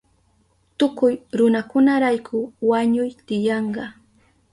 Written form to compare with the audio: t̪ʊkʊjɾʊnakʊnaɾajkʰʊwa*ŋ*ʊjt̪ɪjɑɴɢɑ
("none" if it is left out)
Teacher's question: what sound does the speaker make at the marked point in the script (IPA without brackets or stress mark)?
ɲ